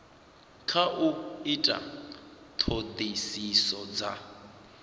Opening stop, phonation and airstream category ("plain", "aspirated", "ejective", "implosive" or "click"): aspirated